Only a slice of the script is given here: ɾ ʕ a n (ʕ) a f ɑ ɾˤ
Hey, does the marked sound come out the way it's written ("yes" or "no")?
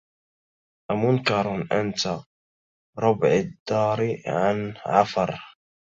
yes